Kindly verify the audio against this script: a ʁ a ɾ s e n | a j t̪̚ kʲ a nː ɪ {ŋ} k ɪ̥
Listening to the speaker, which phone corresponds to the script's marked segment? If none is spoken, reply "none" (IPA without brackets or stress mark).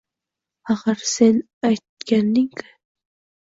ŋ